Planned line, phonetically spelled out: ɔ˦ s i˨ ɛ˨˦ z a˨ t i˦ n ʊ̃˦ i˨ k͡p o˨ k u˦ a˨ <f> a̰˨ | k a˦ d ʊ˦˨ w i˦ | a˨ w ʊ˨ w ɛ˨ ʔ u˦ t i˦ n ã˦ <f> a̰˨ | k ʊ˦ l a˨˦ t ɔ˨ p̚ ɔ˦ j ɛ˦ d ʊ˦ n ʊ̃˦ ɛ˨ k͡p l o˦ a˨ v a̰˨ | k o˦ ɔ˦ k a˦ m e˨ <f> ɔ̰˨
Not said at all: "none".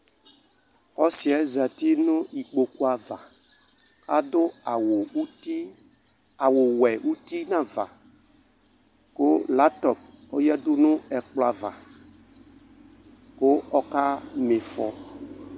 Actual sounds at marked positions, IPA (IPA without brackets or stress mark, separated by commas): v, v, f